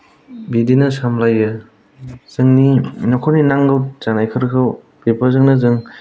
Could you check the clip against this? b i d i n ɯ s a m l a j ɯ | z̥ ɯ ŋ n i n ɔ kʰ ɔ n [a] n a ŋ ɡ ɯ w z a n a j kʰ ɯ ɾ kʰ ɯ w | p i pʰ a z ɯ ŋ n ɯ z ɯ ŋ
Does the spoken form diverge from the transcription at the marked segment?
yes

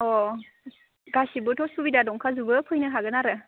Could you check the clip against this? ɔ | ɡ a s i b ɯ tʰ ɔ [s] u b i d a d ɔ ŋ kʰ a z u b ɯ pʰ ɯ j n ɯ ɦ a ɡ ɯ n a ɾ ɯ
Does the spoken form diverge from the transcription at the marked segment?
no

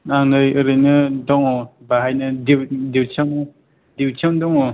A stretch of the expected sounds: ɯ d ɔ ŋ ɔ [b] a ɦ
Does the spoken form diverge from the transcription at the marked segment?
no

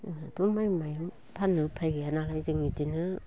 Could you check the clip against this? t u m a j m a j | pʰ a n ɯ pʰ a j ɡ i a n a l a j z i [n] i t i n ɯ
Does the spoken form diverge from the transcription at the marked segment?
yes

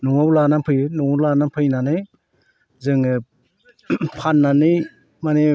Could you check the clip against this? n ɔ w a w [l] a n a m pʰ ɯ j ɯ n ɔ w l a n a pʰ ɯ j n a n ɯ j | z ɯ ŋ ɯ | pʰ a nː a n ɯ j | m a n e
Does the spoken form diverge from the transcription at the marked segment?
no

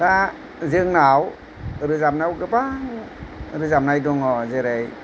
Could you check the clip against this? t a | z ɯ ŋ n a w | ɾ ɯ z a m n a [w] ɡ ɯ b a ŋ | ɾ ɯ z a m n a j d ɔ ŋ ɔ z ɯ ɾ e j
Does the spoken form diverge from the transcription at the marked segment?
no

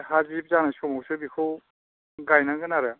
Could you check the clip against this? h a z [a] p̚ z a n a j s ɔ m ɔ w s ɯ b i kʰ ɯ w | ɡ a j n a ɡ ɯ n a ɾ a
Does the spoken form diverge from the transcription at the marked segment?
yes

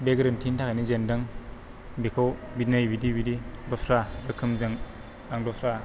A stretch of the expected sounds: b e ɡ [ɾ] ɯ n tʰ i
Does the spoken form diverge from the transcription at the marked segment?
no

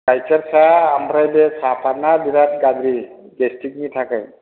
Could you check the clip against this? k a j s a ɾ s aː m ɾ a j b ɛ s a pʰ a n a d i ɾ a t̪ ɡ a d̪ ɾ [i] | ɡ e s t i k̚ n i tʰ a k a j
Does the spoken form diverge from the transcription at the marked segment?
no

